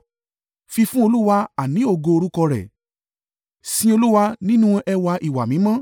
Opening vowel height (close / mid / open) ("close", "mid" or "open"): close